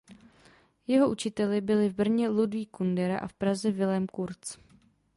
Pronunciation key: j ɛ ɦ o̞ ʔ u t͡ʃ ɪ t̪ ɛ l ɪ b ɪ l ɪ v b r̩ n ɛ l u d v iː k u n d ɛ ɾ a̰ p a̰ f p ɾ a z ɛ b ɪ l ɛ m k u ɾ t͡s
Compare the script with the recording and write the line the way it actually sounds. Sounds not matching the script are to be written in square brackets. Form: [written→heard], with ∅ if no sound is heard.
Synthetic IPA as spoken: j ɛ ɦ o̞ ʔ u t͡ʃ ɪ t̪ ɛ l ɪ b ɪ l ɪ v b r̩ [n→ɲ] ɛ l u d v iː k u n d ɛ ɾ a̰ [p→ʔ] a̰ f p ɾ a z ɛ [b→v] ɪ l ɛ m k u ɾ t͡s